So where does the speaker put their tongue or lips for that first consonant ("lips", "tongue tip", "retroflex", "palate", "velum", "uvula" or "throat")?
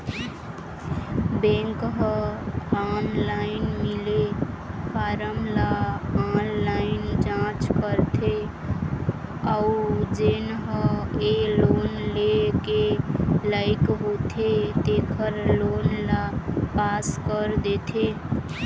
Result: lips